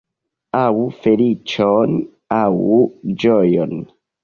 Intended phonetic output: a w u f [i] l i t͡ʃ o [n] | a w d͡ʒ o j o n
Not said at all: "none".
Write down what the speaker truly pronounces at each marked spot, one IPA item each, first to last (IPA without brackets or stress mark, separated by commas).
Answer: e, n